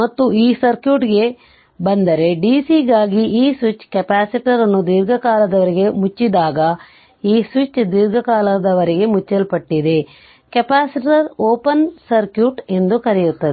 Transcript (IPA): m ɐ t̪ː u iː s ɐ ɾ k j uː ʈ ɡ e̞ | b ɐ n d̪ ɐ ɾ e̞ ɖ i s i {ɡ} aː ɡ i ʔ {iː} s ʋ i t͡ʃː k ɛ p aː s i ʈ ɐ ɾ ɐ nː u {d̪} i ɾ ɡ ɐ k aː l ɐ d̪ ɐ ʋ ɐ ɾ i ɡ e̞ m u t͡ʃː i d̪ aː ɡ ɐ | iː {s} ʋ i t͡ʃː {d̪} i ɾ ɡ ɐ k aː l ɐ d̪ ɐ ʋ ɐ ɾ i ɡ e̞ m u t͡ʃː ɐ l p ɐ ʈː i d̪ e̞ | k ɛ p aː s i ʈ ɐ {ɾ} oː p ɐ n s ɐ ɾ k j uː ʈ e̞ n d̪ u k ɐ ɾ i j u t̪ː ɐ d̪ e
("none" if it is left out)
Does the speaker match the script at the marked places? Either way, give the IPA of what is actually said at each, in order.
ɡ, iː, d̪, s, d̪, ɾ

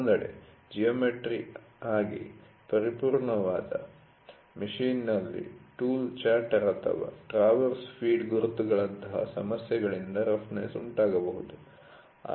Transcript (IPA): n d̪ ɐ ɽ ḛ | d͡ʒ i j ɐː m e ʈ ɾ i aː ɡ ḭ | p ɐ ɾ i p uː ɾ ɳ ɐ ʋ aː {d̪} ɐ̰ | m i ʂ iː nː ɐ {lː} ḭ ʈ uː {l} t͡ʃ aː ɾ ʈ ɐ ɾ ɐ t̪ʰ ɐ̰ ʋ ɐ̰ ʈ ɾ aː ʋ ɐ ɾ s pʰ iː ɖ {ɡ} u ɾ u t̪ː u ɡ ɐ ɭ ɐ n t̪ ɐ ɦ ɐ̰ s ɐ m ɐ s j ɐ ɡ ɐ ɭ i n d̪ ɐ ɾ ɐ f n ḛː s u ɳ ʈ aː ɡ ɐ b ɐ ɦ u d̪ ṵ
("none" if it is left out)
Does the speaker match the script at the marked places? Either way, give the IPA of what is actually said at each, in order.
d̪, lː, l, ɡ

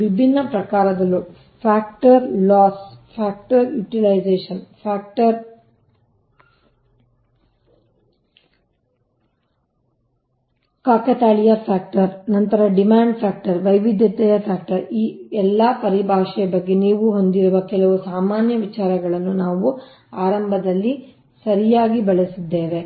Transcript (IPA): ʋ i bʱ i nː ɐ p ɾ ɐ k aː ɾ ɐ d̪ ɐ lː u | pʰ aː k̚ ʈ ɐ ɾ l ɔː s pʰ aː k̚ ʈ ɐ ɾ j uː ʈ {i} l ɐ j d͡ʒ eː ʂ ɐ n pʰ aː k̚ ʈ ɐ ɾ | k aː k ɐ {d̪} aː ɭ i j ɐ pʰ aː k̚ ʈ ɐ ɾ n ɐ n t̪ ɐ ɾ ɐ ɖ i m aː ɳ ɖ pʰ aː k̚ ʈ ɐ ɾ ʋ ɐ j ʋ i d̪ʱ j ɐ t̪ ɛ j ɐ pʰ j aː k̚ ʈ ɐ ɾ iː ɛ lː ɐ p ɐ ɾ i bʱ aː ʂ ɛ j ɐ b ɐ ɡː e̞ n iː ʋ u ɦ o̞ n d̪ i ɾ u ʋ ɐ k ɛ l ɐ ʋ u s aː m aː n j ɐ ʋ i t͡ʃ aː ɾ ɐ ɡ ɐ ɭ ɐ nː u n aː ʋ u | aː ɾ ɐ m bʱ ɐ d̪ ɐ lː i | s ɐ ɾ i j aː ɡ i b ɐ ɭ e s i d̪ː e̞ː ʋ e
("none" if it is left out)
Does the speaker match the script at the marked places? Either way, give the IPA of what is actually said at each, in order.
i, t̪

